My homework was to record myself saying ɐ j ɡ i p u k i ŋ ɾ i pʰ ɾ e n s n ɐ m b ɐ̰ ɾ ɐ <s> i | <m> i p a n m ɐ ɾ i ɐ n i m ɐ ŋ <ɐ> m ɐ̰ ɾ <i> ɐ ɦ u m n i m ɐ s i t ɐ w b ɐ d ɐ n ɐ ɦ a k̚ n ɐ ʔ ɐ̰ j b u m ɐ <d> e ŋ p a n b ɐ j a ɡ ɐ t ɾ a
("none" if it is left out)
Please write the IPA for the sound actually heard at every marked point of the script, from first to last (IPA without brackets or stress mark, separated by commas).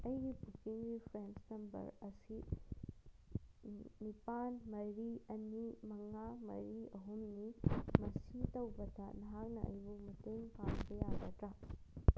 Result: s, n, a, i, t